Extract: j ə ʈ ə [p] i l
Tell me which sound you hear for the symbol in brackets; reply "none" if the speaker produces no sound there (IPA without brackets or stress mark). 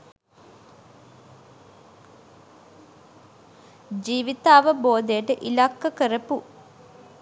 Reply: ʔ